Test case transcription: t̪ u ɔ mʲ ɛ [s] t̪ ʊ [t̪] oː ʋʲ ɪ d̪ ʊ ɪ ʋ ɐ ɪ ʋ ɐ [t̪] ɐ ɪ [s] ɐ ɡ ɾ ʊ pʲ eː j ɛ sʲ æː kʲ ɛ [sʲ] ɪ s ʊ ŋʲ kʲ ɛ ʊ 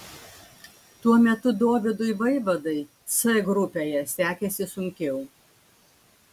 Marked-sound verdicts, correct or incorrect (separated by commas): incorrect, incorrect, incorrect, correct, correct